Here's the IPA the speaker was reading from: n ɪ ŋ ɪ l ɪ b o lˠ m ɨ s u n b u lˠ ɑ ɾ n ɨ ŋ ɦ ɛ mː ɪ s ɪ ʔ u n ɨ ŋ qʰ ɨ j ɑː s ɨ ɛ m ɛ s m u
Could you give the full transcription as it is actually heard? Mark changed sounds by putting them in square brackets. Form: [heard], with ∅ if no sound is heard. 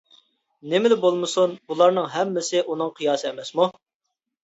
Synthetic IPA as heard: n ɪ [m] ɪ l ɪ b o lˠ m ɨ s u n b u lˠ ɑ ɾ n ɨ ŋ ɦ ɛ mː ɪ s ɪ ʔ u n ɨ ŋ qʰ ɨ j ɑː s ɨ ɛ m ɛ s m u